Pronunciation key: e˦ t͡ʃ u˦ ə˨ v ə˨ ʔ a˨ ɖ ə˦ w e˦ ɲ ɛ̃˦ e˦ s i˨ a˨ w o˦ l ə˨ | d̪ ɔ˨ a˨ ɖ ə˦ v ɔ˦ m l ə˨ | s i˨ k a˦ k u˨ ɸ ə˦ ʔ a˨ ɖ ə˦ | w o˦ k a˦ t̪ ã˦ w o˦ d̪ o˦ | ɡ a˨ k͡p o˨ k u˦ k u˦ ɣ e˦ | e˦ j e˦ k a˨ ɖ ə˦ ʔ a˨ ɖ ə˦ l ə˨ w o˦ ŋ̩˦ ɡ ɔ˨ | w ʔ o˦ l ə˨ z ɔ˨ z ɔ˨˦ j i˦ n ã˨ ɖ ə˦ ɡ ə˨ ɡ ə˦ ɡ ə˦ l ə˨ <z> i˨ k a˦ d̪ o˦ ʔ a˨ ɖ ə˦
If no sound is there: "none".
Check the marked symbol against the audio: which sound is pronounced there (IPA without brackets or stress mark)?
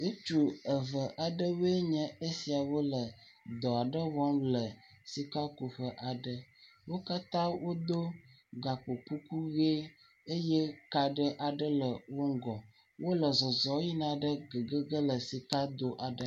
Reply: s